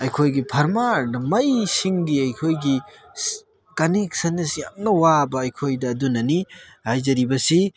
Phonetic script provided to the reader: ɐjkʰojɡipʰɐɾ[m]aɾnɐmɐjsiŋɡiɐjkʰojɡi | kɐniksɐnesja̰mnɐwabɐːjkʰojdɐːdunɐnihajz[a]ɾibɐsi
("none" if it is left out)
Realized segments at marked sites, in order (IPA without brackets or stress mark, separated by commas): m, ɐ